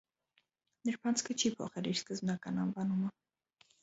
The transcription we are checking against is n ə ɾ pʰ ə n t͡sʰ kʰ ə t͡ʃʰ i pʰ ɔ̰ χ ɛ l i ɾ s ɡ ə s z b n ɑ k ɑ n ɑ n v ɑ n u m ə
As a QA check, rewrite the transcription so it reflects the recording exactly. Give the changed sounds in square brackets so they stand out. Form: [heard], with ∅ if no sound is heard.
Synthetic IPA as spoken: n ə ɾ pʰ [ɑ] n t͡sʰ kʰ ə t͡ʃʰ i pʰ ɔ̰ χ ɛ l i ɾ s [k] ə [∅] z b n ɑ k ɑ n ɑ n v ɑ n u m ə